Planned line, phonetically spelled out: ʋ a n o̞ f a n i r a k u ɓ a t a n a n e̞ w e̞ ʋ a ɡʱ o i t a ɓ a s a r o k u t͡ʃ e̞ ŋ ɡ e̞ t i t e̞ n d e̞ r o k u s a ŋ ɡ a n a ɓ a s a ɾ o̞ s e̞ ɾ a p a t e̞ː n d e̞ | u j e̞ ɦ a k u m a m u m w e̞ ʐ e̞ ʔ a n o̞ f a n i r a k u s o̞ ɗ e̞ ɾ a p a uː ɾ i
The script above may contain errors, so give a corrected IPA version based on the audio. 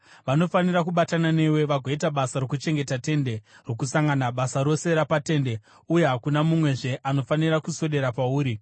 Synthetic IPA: ʋ a n o̞ f a n i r a k u ɓ a t a n a n e̞ w e̞ ʋ a ɡʱ o i t a ɓ a s a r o k u t͡ʃ e̞ ŋ ɡ e̞ t a t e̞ n d e̞ r o k u s a ŋ ɡ a n a ɓ a s a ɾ o̞ s e̞ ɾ a p a t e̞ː n d e̞ | u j e̞ ɦ a k u n a m u m w e̞ ʐ e̞ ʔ a n o̞ f a n i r a k u s o̞ ɗ e̞ ɾ a p a uː ɾ i